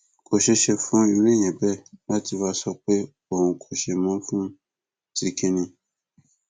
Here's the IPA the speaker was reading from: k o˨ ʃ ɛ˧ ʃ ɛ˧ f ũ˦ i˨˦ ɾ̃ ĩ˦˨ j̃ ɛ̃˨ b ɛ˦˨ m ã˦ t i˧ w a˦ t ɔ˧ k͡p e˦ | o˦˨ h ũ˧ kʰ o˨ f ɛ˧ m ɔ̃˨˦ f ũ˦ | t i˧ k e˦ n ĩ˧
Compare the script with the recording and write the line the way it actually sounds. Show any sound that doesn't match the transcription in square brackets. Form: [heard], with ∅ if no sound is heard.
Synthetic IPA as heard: k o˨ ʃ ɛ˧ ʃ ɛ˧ f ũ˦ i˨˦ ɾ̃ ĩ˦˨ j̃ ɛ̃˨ b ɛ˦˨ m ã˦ t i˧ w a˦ [s] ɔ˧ k͡p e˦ | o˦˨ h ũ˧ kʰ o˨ [ʃ] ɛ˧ m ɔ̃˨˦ f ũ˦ | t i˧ k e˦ n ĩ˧